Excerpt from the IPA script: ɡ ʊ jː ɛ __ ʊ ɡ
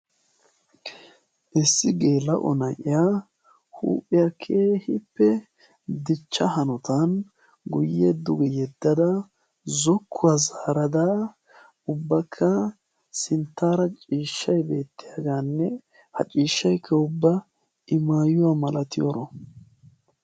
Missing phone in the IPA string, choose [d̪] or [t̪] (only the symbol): d̪